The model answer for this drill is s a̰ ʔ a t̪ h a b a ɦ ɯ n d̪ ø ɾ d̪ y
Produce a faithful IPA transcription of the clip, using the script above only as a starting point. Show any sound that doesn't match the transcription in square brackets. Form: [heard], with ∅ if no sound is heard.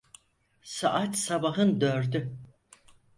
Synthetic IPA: s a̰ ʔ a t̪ [s] a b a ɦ ɯ n d̪ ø ɾ d̪ y